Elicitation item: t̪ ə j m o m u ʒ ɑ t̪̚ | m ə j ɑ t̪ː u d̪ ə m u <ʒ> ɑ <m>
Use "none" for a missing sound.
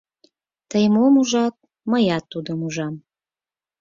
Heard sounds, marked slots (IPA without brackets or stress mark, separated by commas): ʒ, m